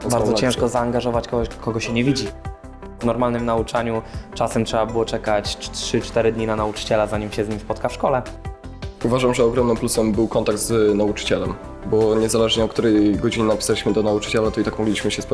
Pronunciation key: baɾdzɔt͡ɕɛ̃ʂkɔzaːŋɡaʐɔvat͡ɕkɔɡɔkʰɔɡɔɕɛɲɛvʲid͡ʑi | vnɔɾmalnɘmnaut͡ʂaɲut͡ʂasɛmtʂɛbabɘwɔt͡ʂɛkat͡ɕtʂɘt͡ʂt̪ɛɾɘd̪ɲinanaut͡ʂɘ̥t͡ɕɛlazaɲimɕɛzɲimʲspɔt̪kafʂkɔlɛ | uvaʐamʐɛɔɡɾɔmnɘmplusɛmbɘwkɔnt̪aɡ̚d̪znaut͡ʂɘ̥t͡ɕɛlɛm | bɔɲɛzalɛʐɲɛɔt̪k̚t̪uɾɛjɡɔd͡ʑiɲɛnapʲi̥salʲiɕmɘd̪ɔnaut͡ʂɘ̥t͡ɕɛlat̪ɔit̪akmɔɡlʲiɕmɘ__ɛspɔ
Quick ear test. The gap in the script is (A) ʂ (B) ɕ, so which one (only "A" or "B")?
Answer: B